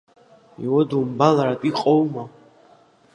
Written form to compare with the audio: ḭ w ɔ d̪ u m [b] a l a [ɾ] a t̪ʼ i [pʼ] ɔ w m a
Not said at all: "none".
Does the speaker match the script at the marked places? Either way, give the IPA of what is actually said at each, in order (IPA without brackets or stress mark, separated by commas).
b, ɾ, qʼ